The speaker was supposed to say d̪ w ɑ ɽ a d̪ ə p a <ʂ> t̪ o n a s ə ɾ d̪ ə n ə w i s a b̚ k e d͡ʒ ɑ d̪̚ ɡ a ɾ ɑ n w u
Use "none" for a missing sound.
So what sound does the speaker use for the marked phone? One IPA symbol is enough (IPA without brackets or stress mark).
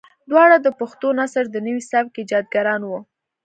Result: x